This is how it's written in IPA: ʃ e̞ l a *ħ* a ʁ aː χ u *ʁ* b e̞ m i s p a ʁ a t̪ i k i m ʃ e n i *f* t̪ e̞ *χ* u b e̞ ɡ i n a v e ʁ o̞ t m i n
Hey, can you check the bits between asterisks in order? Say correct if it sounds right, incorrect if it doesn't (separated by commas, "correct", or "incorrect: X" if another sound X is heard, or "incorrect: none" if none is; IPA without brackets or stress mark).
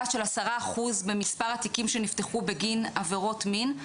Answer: incorrect: s, incorrect: z, correct, correct